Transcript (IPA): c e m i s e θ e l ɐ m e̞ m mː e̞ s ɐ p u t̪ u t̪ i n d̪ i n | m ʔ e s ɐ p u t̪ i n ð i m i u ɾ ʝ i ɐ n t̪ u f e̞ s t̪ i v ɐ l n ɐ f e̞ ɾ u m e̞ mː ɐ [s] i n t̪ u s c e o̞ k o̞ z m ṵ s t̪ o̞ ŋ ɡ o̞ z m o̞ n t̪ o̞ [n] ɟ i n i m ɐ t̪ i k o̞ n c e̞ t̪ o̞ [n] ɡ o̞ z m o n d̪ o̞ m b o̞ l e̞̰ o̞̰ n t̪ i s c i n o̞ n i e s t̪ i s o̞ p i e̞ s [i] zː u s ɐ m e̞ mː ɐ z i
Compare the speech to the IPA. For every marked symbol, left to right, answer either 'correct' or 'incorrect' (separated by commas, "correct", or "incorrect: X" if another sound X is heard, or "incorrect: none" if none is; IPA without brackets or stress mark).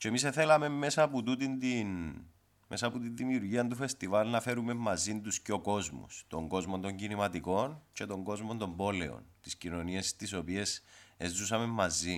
incorrect: z, incorrect: ɲ, incorrect: ŋ, incorrect: e